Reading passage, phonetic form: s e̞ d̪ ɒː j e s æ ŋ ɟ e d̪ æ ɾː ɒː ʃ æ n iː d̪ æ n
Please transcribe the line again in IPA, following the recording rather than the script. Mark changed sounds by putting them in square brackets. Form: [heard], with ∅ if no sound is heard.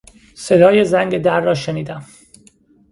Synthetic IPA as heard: s e̞ d̪ ɒː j e [z] æ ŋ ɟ e d̪ æ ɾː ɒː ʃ [e] n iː d̪ æ [m]